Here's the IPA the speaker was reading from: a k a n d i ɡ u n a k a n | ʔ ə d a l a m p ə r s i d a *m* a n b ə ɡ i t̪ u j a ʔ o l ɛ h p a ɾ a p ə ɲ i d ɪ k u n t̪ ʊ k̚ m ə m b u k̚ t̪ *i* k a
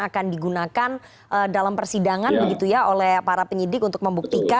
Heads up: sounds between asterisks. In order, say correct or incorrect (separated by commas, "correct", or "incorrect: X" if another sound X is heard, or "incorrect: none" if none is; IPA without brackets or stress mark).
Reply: incorrect: ŋ, correct